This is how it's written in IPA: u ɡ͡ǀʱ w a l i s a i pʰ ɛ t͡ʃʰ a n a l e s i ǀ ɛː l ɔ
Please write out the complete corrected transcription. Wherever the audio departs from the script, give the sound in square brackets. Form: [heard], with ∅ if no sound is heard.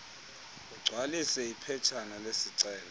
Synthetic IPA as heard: u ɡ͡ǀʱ w a l i s [ɛ] i pʰ ɛ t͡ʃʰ a n a l e s i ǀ ɛː l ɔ

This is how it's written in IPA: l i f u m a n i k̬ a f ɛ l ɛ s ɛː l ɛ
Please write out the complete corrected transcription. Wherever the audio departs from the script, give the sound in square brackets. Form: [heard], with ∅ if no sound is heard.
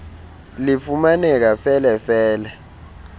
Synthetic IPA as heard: l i f u m a n [ɛ] k̬ a f ɛ l ɛ [f] ɛː l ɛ

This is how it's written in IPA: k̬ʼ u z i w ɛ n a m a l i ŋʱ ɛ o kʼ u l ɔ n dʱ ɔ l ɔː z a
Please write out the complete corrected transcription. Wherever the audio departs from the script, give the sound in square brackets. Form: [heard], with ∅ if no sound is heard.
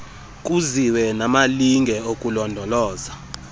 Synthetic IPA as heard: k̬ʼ u z i w ɛ n a m a l i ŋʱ ɛ o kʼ u l ɔ n dʱ ɔ l ɔː z a

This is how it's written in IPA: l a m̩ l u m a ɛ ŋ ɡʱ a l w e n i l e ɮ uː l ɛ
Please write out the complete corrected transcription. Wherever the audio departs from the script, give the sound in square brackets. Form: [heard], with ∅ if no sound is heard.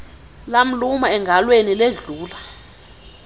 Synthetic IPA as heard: l a m̩ l u m a ɛ ŋ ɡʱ a l w e n i l e ɮ uː l [a]

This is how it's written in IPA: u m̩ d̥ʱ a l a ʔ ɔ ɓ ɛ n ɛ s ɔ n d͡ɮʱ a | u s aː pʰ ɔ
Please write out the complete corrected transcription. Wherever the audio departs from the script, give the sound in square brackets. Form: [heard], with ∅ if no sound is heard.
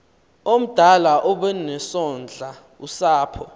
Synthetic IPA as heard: [o] m̩ d̥ʱ a l a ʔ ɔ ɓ ɛ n ɛ s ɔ n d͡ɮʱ a | u s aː pʰ ɔ

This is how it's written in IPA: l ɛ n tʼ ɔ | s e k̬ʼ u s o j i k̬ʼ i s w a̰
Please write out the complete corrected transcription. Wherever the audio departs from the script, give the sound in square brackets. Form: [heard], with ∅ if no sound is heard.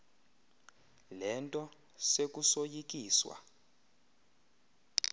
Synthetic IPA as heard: l ɛ n tʼ ɔ | s e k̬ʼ u s o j i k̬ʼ [iː] s w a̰

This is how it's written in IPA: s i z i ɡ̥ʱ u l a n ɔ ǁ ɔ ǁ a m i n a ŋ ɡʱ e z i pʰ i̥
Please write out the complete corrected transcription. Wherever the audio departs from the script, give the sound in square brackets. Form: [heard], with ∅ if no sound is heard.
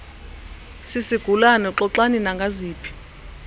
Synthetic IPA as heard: s i [s] i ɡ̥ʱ u l a n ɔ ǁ ɔ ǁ a [n] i n a ŋ ɡʱ [a] z [iː] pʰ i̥

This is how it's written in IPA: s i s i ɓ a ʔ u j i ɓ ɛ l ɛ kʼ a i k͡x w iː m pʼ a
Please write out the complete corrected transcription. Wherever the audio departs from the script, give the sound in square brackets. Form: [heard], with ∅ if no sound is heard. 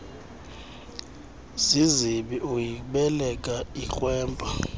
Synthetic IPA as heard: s i [z] i ɓ [i] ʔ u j i ɓ ɛ l ɛ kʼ a i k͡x w [ɛː] m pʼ a

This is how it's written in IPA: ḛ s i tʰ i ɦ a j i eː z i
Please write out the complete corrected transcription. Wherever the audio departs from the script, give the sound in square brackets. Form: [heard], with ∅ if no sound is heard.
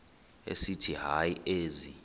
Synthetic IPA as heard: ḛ s i tʰ i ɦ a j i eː z i

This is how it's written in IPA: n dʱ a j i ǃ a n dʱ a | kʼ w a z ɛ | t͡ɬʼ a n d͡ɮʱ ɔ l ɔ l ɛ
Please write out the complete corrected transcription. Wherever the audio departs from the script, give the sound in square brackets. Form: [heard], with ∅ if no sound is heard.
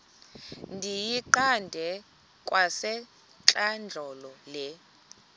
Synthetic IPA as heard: n dʱ [i] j i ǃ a n dʱ [ɛ] | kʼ w a [s] ɛ | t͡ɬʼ a n d͡ɮʱ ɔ l ɔ l ɛ

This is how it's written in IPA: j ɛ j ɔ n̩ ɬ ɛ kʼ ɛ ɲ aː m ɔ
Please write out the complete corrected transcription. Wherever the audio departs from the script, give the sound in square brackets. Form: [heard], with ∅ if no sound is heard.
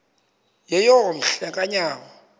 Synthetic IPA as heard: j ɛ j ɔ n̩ ɬ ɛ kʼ [a] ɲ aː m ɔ

